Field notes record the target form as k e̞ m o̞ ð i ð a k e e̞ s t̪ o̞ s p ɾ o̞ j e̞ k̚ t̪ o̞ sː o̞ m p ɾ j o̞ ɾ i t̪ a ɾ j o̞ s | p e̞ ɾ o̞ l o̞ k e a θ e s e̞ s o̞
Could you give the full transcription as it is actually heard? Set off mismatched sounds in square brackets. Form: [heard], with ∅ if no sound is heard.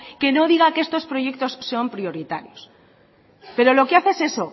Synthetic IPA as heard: k e̞ [n] o̞ ð i [ɣ] a k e e̞ s t̪ o̞ s p ɾ o̞ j e̞ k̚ t̪ o̞ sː o̞ m p ɾ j o̞ ɾ i t̪ a ɾ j o̞ s | p e̞ ɾ o̞ l o̞ k e a θ e s e̞ s o̞